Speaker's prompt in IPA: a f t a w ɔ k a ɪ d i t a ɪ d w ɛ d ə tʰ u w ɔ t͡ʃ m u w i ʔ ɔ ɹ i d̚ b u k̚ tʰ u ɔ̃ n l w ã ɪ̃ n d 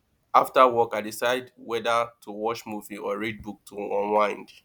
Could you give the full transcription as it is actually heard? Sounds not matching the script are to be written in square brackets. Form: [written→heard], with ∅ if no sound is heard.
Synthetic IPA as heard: a f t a w ɔ k a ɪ d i [t→s] a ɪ d w ɛ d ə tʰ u w ɔ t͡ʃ m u [w→v] i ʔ ɔ ɹ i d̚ b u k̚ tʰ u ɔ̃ n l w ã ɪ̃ n d